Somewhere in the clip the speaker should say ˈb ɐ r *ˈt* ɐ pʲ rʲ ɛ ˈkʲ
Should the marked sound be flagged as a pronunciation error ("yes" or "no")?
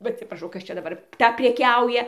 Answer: no